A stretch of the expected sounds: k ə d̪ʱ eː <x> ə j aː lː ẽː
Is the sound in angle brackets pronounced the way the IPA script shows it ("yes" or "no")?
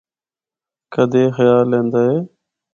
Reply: yes